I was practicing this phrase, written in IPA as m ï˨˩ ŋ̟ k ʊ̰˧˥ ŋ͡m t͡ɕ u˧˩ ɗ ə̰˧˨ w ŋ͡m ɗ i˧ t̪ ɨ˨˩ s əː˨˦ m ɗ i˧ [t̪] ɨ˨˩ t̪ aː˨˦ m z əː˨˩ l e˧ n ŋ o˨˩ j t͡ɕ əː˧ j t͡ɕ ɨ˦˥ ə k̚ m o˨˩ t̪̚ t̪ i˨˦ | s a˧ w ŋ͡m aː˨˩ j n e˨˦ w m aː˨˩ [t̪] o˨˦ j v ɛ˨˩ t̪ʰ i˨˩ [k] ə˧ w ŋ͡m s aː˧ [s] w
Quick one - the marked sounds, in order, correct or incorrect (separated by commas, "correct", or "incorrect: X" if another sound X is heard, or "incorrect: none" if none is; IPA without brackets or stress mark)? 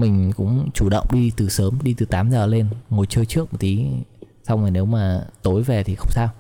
correct, correct, incorrect: x, incorrect: none